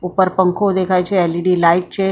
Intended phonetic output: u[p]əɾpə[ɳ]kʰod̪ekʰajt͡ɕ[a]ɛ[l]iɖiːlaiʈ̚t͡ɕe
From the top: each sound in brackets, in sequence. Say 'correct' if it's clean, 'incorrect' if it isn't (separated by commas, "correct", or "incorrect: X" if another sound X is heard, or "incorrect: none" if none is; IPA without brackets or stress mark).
correct, incorrect: ŋ, incorrect: e, correct